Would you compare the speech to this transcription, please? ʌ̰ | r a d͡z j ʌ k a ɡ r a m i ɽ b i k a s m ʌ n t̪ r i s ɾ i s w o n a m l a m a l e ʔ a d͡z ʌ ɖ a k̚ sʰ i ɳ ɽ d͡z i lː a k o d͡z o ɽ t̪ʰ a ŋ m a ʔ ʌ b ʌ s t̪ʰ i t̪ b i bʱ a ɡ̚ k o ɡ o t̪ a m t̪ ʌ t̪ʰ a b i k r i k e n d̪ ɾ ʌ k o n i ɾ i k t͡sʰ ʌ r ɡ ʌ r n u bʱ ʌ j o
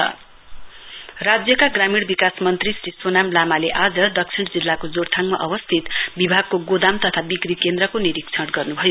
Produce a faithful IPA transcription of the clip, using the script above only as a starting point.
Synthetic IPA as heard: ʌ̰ | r a d͡z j ʌ k a ɡ r a m i ɽ b i k a s m ʌ n t̪ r i s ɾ i s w o n a m l a m a l e ʔ a d͡z ʌ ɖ ʌ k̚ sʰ i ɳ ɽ d͡z i lː a k o d͡z o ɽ t̪ʰ a ŋ m a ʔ ʌ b ʌ s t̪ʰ i t̪ b i bʱ a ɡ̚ k o ɡ o d̪ a m t̪ ʌ t̪ʰ a b i k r i k e n d̪ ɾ ʌ k o n i ɾ i k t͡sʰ ʌ ɽ ɡ ʌ r n u bʱ ʌ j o

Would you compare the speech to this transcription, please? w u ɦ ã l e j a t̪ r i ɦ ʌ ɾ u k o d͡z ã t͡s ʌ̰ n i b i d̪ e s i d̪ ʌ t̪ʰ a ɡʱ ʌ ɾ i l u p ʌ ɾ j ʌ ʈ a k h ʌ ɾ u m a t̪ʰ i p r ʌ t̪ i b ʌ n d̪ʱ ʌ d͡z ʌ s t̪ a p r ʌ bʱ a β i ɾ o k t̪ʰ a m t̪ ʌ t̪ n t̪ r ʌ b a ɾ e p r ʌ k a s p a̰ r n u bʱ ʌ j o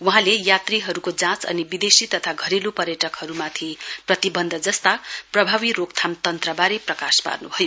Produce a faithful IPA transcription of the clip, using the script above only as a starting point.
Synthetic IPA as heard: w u ɦ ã l e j a t̪ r i ɦ ʌ ɾ u k o d͡z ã t͡s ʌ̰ n i b i d̪ e s i t̪ ʌ t̪ʰ a ɡʱ ʌ ɾ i l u p ʌ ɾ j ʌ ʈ ʌ k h ʌ ɾ u m a t̪ʰ i p r ʌ t̪ i b ʌ n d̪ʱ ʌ d͡z ʌ s t̪ a p r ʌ bʱ a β i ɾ o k t̪ʰ a m t̪ ʌ n t̪ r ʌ b a ɾ e p r ʌ k a s p a̰ r n u bʱ ʌ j o

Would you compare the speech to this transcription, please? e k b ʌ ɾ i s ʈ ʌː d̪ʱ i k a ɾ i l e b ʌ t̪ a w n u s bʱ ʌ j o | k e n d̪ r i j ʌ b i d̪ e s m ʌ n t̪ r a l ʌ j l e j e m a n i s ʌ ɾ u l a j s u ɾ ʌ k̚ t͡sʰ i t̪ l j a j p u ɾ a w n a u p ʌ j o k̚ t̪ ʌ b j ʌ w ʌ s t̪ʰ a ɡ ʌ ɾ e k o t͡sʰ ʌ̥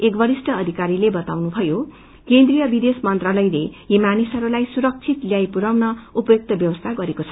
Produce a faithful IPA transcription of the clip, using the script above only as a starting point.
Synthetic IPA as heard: e k b ʌ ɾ i s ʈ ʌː d̪ʱ i k a ɾ i l e b ʌ t̪ a w n u bʱ ʌ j o | k e n d̪ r i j ʌ b i d̪ e s m ʌ n t̪ r a l ʌ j l e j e m a n i s ʌ ɾ u l a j s u ɾ ʌ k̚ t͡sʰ i t̪ l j a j p u ɾ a w n ʌ u p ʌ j o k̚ t̪ ʌ b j ʌ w ʌ s t̪ʰ a ɡ ʌ ɾ e k o t͡sʰ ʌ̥

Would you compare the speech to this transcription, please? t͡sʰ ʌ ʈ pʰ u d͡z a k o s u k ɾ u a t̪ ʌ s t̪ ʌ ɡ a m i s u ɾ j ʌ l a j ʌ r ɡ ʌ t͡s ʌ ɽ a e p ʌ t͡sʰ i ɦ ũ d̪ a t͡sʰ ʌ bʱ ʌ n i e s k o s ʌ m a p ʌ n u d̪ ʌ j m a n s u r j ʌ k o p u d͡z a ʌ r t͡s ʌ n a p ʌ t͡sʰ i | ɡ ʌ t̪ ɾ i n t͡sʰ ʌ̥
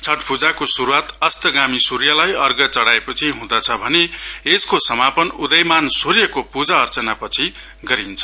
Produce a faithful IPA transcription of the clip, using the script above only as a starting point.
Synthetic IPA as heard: t͡sʰ ʌ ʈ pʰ u d͡z a k o s u ɾ u a t̪ ʌ s t̪ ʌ ɡ a m i s u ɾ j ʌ l a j ʌ r ɡ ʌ t͡s ʌ ɽ a e p ʌ t͡sʰ i ɦ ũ d̪ ʌ t͡sʰ ʌ bʱ ʌ n e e s k o s ʌ m a p ʌ n u d̪ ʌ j m a n s u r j ʌ k o p u d͡z a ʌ r t͡s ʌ n a p ʌ t͡sʰ i | ɡ ʌ ɾ i n t͡sʰ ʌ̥

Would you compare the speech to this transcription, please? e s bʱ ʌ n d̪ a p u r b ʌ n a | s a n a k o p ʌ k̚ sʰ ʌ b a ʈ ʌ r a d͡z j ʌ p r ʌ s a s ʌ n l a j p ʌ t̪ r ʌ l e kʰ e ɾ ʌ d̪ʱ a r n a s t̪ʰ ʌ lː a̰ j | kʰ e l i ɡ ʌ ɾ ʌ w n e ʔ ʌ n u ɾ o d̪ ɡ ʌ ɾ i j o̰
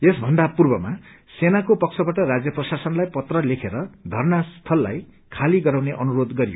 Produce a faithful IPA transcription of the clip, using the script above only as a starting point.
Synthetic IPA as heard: e s bʱ ʌ n d̪ a p u r b ʌ m a | s e n a k o p ʌ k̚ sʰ ʌ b a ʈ ʌ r a d͡z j ʌ p r ʌ s a s ʌ n l a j p ʌ t̪ r ʌ l e kʰ e ɾ ʌ d̪ʱ ʌ r n a s t̪ʰ ʌ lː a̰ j | kʰ a l i ɡ ʌ ɾ a w n e ʔ ʌ n u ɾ o d̪ ɡ ʌ ɾ i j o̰

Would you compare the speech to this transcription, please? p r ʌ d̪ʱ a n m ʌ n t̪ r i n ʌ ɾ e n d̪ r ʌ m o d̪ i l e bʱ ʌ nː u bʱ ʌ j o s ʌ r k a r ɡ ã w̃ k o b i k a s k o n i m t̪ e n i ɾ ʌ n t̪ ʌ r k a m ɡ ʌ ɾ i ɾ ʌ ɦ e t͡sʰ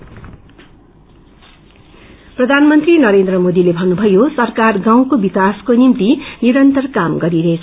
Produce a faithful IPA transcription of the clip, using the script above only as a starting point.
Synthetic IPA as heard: p r ʌ d̪ʱ a n m ʌ n t̪ r i n ʌ ɾ e n d̪ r ʌ m o d̪ i l e bʱ ʌ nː u bʱ ʌ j o s ʌ r k a r ɡ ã w̃ k o b i k a s k o n i m t̪ i n i ɾ ʌ n t̪ ʌ r k a m ɡ ʌ ɾ i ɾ ʌ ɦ e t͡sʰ

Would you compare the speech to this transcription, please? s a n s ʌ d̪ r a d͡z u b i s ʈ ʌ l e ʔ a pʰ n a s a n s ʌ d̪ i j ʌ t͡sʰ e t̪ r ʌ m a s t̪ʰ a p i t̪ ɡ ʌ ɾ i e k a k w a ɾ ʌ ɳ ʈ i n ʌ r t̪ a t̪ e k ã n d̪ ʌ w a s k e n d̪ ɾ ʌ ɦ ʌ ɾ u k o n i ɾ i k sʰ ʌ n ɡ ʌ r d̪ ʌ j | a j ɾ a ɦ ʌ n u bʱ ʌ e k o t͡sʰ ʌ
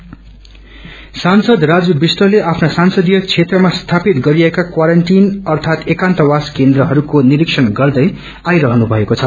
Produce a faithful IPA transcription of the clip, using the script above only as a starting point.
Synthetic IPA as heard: s a n s ʌ d̪ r a d͡z u b i s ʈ ʌ l e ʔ a pʰ n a s a n s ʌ d̪ i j ʌ t͡sʰ e t̪ r ʌ m a s t̪ʰ a p i t̪ ɡ ʌ ɾ i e k a k w a ɾ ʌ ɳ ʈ i n ʌ r t̪ʰ a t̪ e k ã n t̪ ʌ w a s k e n d̪ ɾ ʌ ɦ ʌ ɾ u k o n i ɾ i k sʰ ʌ n ɡ ʌ r d̪ ʌ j | a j ɾ ʌ ɦ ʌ n u bʱ ʌ e k o t͡sʰ ʌ

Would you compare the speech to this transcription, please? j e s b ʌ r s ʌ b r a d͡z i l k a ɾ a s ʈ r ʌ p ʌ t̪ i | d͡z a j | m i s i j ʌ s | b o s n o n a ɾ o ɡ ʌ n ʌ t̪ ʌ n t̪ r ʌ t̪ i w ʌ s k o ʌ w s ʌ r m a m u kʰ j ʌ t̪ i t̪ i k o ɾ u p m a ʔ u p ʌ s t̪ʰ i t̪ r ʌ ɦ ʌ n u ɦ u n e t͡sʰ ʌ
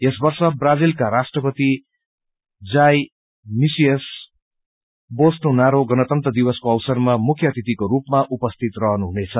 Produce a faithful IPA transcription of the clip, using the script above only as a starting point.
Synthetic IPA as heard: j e s b ʌ r s ʌ b r a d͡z i l k a ɾ a s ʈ r ʌ p ʌ t̪ i | d͡z a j | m i s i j ʌ s | b o s n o n a ɾ o ɡ ʌ n ʌ t̪ ʌ n t̪ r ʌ d̪ i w ʌ s k o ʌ w s ʌ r m a m u kʰ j ʌ t̪ i t̪ i k o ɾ u p m a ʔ u p ʌ s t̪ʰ i t̪ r ʌ ɦ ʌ n u ɦ u n e t͡sʰ ʌ

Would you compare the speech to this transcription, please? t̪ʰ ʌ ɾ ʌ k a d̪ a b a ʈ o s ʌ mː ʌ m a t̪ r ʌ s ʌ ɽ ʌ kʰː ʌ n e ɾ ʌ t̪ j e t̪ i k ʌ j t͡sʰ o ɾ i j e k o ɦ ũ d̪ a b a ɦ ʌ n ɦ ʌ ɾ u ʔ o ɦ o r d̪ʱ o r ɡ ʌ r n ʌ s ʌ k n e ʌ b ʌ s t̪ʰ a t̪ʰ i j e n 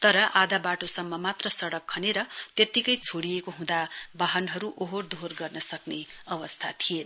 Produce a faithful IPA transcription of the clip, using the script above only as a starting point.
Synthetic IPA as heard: t̪ ʌ ɾ ʌ ʔ a d̪ a b a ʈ o s ʌ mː ʌ m a t̪ r ʌ s ʌ ɽ ʌ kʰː ʌ n e ɾ ʌ t̪ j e t̪ i k ʌ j t͡sʰ o ɽ i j e k o ɦ ũ d̪ a b a ɦ ʌ n ɦ ʌ ɾ u ʔ o ɦ o r d̪ʱ o r ɡ ʌ r n ʌ s ʌ k n e ʌ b ʌ s t̪ʰ a t̪ʰ i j e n

